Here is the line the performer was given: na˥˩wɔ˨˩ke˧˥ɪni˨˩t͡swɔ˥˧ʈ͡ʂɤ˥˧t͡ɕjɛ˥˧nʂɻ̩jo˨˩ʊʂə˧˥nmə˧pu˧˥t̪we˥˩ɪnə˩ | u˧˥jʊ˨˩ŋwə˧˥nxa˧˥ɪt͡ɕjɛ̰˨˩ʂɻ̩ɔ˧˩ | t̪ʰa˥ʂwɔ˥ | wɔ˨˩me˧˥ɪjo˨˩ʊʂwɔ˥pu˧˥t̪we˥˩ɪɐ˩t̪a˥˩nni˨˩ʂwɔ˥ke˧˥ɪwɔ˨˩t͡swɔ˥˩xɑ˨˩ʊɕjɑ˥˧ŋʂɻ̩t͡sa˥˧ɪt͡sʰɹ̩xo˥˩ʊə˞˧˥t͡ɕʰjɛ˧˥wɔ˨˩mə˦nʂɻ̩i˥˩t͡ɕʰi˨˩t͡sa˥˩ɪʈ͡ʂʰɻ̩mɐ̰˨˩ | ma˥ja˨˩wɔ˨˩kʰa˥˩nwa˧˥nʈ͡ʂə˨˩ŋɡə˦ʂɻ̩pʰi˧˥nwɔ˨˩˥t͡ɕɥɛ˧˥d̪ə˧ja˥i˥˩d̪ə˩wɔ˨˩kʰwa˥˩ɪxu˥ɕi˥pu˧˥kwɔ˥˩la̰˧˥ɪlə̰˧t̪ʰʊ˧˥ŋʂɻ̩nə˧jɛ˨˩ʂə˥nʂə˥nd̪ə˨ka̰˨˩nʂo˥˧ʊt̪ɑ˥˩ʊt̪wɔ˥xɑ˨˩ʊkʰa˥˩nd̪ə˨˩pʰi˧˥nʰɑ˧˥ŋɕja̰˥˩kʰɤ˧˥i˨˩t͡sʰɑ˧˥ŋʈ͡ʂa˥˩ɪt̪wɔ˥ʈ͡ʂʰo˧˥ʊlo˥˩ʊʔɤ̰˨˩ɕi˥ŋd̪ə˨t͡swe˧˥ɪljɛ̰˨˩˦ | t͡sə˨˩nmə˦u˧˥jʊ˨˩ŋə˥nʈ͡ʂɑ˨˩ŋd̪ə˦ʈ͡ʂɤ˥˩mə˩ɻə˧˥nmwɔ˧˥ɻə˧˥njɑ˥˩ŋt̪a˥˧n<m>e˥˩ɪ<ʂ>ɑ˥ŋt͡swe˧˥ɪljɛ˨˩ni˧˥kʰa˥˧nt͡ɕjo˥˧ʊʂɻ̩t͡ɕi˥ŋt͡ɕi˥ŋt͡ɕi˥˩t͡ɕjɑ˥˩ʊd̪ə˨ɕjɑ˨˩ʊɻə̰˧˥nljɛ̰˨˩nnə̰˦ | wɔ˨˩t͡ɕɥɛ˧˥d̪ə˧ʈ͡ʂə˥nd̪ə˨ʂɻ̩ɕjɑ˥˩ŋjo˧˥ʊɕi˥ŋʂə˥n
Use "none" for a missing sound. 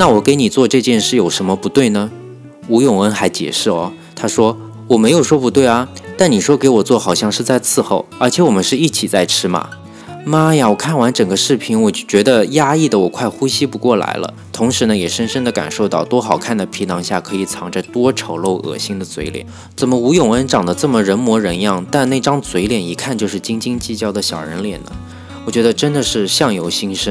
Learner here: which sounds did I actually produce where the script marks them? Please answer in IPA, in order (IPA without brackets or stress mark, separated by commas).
n, ʈ͡ʂ